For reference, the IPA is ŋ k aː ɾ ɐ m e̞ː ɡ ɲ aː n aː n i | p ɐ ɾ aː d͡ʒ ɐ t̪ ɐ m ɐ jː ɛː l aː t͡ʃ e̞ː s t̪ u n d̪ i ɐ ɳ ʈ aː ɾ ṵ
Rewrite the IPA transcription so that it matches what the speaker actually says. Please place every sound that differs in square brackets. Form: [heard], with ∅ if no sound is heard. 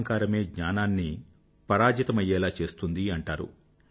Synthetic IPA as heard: ŋ k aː ɾ ɐ m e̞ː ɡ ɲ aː n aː [nː] i | p ɐ ɾ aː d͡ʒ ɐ t̪ ɐ m ɐ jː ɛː l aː t͡ʃ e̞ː s t̪ u n d̪ i ɐ ɳ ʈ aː ɾ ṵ